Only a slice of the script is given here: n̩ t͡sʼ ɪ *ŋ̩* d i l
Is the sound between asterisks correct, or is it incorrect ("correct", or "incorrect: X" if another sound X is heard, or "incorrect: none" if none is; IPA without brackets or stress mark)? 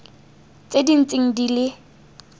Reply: correct